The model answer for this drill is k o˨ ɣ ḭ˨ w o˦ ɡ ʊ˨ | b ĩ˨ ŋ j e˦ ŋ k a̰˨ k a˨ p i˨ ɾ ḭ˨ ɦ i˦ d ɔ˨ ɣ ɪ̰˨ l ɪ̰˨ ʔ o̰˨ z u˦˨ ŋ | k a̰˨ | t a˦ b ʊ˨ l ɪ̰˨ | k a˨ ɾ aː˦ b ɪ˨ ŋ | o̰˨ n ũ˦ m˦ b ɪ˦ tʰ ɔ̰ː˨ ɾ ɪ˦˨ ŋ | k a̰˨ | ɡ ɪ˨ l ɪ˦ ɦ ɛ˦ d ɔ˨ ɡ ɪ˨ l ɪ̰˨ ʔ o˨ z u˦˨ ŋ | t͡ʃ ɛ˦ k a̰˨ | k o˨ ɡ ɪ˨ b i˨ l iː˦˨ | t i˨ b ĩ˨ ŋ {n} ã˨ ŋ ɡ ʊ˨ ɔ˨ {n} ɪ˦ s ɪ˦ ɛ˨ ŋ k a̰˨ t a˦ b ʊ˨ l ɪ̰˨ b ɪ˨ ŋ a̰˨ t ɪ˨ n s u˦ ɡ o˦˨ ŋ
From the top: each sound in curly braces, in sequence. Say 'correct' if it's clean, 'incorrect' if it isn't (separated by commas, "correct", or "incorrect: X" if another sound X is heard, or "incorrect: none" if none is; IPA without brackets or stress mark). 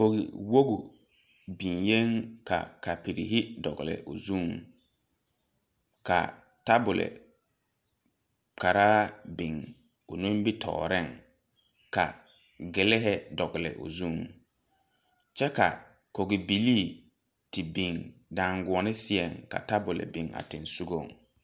incorrect: d, correct